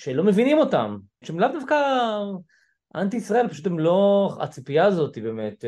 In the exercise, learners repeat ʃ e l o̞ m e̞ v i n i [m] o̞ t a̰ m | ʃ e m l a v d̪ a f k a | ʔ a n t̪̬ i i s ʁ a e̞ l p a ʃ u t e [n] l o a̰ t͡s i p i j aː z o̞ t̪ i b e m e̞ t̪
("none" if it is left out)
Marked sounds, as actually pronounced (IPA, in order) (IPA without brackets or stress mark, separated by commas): m, m